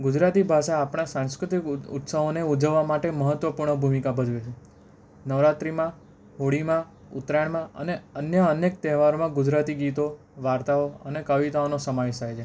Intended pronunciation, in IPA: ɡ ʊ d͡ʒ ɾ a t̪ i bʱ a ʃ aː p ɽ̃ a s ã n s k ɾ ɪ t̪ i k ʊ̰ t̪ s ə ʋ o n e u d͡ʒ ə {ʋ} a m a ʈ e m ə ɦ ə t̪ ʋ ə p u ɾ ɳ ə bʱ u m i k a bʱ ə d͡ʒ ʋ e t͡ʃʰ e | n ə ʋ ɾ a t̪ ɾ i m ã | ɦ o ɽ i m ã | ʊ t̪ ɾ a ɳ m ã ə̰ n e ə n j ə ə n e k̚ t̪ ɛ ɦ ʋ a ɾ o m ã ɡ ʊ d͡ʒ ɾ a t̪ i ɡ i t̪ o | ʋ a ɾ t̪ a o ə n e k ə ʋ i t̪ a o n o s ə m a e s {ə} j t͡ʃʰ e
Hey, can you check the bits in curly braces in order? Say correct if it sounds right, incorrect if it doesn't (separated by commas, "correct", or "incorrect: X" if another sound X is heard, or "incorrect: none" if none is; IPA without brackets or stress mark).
incorrect: ʋː, incorrect: a